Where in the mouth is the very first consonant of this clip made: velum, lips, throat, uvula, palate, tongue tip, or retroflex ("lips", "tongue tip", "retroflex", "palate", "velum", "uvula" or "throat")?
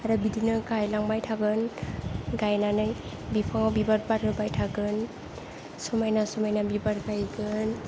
tongue tip